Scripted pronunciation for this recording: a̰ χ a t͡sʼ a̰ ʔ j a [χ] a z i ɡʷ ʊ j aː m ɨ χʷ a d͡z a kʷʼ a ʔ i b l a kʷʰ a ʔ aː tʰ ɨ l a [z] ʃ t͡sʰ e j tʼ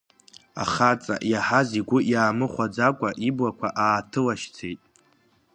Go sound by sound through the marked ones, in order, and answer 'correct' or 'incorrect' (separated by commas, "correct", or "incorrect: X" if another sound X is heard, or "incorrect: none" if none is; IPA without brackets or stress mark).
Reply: incorrect: ħ, incorrect: none